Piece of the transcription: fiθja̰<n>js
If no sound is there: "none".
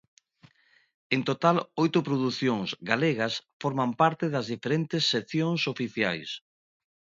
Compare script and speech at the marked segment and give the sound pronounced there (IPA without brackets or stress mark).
none